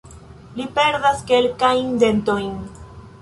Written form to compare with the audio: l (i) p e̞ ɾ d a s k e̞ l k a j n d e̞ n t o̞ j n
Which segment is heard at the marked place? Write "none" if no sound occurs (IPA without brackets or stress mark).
i